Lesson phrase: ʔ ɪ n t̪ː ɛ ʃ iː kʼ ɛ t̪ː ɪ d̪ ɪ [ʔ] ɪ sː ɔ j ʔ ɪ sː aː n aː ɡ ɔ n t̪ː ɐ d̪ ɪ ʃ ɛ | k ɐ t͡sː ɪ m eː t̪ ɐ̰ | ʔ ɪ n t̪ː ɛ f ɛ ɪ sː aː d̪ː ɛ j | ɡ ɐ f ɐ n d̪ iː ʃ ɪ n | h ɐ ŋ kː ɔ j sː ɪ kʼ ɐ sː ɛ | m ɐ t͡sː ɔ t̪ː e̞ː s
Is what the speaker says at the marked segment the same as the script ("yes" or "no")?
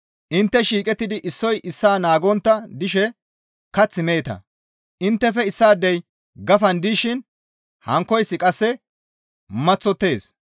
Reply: yes